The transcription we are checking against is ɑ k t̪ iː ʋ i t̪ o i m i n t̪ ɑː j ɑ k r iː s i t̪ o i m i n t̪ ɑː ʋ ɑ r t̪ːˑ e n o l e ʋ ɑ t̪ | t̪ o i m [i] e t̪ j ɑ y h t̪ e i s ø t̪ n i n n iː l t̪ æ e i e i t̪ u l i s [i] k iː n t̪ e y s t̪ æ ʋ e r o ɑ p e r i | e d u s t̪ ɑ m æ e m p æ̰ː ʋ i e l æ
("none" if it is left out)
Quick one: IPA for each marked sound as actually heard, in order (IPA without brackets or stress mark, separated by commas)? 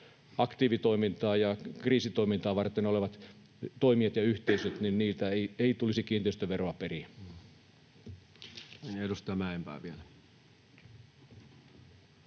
i, i